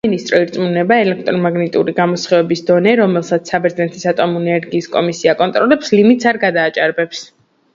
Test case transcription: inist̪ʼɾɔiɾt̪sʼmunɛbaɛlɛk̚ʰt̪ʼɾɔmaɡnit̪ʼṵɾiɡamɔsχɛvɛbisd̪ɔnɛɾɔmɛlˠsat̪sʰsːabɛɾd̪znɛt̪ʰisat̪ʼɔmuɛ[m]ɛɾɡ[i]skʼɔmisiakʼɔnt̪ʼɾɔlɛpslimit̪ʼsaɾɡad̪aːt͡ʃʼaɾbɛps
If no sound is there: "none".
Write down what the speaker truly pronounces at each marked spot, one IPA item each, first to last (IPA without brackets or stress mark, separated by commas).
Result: n, iː